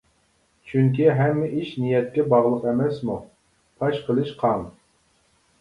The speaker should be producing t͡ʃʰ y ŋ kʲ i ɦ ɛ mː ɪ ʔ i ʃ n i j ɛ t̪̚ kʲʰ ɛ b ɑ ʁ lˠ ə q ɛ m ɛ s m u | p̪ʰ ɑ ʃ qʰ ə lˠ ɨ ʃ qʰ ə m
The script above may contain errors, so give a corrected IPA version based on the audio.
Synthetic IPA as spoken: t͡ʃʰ y ŋ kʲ i ɦ ɛ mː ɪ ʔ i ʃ n i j ɛ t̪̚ kʲ ɛ b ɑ ʁ lˠ ə q ɛ m ɛ s m u | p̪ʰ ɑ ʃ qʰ ə lˠ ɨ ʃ qʰ ɑ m